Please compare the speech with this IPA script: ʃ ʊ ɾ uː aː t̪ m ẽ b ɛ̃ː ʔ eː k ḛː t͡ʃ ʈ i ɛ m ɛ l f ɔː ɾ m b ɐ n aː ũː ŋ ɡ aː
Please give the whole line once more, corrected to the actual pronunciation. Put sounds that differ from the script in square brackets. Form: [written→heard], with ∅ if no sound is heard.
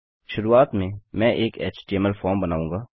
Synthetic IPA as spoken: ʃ ʊ ɾ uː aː t̪ m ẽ [b→m] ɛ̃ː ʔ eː k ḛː t͡ʃ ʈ i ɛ m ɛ l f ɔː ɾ m b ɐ n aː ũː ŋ ɡ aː